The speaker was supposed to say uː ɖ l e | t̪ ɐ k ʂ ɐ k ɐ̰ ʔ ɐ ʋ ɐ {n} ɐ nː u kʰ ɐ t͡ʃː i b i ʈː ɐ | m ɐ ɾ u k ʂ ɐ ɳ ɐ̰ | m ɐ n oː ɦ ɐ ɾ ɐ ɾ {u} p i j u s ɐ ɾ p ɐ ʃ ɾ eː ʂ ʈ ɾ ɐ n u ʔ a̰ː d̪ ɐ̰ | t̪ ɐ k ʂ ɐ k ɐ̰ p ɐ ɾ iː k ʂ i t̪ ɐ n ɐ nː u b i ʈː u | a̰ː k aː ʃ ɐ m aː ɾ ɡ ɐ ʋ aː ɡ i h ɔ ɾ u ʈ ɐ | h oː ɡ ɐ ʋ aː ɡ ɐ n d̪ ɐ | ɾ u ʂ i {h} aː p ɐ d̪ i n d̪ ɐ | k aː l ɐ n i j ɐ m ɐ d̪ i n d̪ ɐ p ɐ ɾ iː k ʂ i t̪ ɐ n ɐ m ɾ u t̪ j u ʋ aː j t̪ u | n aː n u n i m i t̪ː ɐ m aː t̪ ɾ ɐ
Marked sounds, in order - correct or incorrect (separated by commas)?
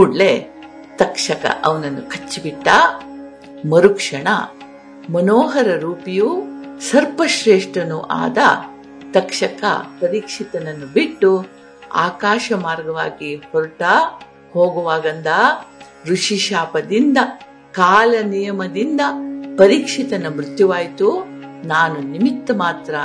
correct, incorrect, incorrect